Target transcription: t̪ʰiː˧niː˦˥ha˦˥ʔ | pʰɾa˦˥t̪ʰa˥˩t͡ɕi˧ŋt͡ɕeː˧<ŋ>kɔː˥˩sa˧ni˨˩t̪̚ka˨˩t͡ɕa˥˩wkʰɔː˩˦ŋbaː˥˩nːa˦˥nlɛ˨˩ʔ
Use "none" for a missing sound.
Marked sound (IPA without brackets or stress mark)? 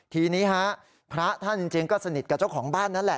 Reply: ŋ